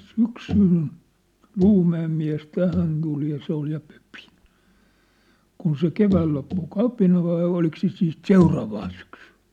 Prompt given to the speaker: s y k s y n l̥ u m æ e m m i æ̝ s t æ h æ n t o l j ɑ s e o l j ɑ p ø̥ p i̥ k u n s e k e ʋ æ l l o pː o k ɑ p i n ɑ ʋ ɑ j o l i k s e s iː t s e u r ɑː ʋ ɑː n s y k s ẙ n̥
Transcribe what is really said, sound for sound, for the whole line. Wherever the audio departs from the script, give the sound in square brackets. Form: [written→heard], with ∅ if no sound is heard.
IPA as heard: s y k s y n l̥ [u→uː] m æ e m m i æ̝ s t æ h æ n t [o→u] l j ɑ s e o l j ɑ p ø̥ p i̥ k u n s e k e ʋ [æ→æː] l l o pː [o→u] k ɑ p i n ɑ ʋ ɑ [j→i] o l i k s e s iː t s e u r ɑː ʋ ɑː n s y k s ẙ n̥